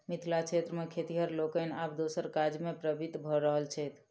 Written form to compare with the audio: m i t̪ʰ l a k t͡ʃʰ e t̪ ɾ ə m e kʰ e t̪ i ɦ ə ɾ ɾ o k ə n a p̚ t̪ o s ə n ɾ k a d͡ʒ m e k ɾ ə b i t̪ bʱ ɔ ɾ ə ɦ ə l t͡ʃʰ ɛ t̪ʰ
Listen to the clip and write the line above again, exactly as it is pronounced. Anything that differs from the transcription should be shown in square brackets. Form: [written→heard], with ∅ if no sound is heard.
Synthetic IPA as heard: m i t̪ʰ l a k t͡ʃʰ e t̪ ɾ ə m e kʰ e t̪ i ɦ ə ɾ [ɾ→l] o k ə n a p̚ [t̪→d̪] o s ə [n→∅] ɾ k a d͡ʒ m e [k→p] ɾ ə b i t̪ bʱ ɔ ɾ ə ɦ ə l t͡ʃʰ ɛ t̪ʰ